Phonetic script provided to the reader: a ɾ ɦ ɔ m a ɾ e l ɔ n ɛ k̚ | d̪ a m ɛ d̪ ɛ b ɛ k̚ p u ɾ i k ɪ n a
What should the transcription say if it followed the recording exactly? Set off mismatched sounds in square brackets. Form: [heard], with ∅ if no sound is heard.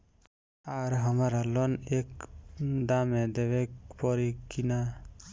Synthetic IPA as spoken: a ɾ ɦ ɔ m a ɾ [a] l ɔ n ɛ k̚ | d̪ a m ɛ d̪ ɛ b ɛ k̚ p [ɔ] ɾ i k [i] n a